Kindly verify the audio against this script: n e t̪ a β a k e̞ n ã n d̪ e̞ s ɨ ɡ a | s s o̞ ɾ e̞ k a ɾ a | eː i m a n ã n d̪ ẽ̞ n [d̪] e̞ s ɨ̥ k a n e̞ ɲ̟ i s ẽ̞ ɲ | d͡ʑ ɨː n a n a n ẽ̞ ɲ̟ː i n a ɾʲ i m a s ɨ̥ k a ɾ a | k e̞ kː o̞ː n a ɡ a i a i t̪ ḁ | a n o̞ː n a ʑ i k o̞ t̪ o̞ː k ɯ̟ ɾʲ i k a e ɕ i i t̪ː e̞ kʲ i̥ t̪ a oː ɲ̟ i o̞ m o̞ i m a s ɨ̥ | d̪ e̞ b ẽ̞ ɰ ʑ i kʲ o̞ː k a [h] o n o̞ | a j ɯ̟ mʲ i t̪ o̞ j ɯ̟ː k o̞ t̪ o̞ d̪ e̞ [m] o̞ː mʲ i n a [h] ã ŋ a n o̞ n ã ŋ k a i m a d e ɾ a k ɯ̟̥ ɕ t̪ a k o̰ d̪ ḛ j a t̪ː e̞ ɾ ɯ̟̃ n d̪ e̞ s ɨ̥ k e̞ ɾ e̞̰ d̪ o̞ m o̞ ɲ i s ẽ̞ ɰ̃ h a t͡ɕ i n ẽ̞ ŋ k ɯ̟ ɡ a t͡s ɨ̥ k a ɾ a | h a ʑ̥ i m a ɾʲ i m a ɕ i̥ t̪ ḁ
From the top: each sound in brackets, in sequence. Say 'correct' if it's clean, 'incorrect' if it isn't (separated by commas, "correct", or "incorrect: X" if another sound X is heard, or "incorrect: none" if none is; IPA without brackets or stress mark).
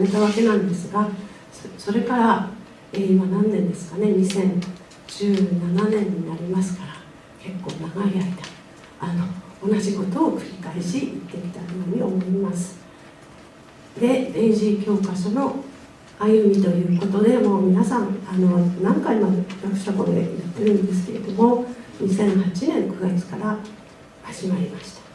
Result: correct, incorrect: ɕ, correct, incorrect: s